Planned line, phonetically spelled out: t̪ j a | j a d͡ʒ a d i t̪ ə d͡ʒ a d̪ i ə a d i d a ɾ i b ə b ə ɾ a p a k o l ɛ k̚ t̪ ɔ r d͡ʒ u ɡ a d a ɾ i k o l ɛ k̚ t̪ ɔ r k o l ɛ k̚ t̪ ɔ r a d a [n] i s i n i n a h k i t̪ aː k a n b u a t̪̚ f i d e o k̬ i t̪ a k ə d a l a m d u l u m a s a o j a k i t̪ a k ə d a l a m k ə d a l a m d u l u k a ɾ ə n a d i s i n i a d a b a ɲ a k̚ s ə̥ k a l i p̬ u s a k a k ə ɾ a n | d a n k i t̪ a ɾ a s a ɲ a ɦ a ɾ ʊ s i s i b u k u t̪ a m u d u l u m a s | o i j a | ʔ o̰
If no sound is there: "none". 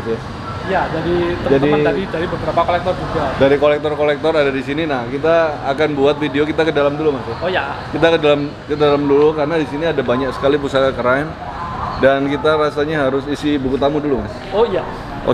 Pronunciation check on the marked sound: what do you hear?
d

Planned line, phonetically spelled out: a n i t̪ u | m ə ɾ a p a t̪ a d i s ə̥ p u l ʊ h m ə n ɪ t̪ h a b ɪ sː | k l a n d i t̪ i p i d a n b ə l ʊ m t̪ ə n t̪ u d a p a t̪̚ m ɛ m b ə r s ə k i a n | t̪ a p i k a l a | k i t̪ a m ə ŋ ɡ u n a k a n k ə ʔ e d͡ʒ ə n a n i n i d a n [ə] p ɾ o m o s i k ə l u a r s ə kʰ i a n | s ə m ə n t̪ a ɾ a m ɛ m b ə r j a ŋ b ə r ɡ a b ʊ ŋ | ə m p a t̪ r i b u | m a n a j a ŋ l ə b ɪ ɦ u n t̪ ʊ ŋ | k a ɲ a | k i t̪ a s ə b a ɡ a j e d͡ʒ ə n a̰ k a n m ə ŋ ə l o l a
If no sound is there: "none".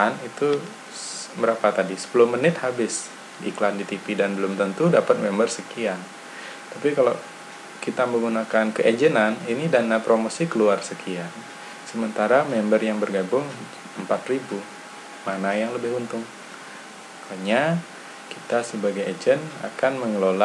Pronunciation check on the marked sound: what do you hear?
a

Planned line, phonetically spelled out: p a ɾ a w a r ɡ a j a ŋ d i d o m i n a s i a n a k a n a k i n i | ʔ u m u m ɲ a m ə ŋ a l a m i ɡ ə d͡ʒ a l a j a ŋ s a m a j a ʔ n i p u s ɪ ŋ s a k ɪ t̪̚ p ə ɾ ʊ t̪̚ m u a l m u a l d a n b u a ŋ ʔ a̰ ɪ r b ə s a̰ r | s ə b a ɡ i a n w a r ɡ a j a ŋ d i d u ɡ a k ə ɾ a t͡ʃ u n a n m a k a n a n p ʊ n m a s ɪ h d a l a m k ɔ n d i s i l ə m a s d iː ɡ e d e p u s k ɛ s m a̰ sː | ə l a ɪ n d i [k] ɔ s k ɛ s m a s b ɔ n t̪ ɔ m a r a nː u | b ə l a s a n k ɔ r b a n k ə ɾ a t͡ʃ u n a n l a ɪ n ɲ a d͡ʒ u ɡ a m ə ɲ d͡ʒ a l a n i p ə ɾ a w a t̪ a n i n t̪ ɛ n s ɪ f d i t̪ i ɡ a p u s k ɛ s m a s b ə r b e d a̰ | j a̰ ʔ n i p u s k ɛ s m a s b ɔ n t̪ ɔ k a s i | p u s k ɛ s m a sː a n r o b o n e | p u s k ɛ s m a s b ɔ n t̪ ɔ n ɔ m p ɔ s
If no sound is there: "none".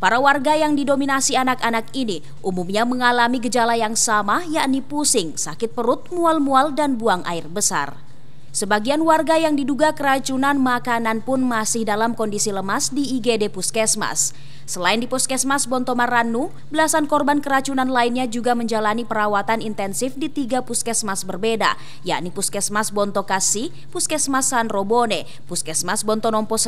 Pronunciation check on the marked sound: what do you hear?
p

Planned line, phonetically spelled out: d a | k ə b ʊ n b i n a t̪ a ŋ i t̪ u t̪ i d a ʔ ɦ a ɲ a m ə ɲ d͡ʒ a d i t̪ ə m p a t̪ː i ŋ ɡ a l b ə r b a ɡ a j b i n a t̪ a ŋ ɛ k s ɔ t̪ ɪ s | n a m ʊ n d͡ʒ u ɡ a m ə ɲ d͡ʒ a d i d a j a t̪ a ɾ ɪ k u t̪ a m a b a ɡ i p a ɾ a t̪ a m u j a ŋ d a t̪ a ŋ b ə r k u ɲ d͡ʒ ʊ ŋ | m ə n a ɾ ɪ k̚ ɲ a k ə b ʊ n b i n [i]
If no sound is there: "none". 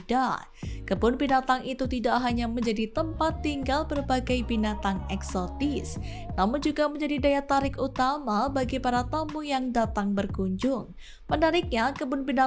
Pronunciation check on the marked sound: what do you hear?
a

